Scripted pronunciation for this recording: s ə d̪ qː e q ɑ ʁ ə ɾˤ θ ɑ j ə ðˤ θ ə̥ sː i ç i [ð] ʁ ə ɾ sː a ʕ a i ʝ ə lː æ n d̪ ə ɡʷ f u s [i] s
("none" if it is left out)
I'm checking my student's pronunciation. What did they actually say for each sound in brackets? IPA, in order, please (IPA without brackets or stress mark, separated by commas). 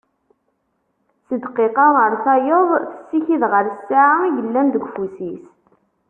ð, i